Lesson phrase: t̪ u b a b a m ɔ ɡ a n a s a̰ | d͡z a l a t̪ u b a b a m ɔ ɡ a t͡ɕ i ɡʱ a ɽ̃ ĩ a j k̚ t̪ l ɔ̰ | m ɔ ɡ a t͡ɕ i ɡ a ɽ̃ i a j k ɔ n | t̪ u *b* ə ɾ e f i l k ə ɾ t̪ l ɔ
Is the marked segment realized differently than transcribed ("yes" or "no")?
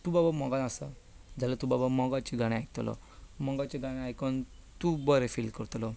no